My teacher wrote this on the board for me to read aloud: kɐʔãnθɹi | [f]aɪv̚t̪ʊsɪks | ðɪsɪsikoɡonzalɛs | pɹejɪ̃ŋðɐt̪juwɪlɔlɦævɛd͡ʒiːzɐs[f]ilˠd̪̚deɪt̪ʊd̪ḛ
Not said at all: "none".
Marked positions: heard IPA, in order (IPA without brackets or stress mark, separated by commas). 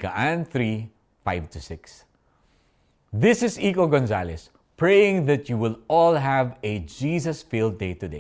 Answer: f, f